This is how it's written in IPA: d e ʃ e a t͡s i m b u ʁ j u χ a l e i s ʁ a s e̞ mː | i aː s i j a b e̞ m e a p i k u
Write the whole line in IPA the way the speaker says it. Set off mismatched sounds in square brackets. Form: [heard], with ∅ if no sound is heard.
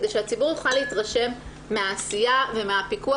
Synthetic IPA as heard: d e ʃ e a t͡s i [∅] b u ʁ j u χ a l e i [t] ʁ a [ʃ] e̞ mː | [e] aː s i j a [v] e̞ m e a p i k u